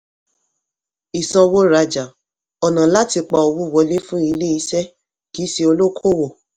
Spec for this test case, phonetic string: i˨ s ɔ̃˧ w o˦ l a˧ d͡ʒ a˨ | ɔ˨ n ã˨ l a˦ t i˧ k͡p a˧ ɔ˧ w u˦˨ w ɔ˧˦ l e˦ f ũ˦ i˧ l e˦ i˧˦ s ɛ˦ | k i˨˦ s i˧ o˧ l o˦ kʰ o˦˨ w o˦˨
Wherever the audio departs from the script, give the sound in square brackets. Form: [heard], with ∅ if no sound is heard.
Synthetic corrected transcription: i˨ s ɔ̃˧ w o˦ [ɾ] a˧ d͡ʒ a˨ | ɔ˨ n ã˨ l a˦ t i˧ k͡p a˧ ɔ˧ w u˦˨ w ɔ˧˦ l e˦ f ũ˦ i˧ l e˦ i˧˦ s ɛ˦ | k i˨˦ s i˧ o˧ l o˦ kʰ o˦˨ w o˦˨